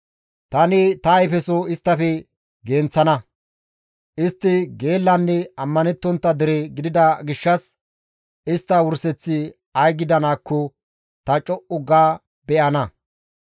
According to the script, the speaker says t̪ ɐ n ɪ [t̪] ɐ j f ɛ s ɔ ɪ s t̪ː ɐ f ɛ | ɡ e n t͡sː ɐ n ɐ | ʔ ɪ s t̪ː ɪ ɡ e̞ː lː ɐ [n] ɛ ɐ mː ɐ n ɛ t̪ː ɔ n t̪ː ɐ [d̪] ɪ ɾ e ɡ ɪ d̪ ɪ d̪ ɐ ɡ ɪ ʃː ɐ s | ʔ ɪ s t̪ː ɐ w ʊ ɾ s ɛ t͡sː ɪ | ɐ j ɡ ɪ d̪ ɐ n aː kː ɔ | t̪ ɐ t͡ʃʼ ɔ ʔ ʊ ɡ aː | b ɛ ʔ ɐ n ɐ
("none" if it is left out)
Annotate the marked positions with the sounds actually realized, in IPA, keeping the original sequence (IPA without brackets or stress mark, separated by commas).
t̪, nː, d̪